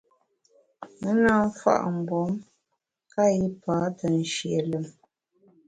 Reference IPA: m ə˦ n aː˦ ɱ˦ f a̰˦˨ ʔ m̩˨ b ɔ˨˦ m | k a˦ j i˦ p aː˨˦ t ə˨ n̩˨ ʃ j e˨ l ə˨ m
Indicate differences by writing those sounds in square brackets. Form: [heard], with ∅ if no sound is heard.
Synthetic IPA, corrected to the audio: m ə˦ n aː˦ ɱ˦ f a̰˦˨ ʔ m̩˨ b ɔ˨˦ m | k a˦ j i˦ p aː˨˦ t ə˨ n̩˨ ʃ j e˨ l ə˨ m